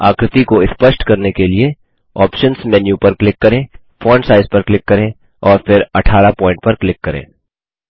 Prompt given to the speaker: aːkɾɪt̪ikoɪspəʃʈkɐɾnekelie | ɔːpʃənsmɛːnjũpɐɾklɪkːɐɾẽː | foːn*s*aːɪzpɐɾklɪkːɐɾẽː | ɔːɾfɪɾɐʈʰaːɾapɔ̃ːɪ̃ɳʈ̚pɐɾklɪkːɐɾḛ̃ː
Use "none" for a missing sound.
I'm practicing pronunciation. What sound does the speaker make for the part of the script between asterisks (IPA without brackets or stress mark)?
s